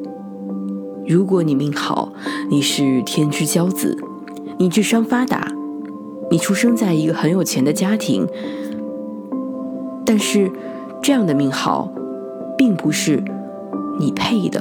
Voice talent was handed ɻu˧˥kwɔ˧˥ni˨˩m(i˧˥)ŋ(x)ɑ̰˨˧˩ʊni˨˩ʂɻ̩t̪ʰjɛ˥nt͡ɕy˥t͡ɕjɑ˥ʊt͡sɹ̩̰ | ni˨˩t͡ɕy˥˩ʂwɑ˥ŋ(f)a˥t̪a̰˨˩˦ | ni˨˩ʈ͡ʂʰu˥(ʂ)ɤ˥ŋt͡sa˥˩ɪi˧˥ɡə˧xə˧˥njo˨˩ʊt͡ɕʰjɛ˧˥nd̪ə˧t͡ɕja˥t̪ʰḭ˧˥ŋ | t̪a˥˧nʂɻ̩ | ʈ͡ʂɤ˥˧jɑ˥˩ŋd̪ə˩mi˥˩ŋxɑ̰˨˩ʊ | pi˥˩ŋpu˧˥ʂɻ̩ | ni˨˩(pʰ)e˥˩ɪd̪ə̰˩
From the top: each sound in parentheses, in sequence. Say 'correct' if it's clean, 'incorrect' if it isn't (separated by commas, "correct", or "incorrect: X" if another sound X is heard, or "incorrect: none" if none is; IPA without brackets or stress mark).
incorrect: i˥˩, correct, correct, correct, correct